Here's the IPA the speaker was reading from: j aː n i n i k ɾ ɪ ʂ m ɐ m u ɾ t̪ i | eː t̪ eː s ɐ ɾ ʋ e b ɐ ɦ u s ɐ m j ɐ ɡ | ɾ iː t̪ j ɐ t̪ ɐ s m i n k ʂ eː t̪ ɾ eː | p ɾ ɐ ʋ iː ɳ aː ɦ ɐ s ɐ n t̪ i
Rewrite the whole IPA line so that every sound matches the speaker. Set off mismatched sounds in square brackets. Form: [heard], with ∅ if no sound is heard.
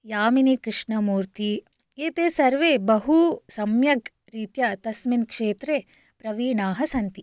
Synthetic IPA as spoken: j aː [m] i n i k ɾ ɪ ʂ [ɳ] ɐ m [uː] ɾ t̪ i | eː t̪ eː s ɐ ɾ ʋ e b ɐ ɦ u s ɐ m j ɐ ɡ | ɾ iː t̪ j ɐ t̪ ɐ s m i n k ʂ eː t̪ ɾ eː | p ɾ ɐ ʋ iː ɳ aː ɦ ɐ s ɐ n t̪ i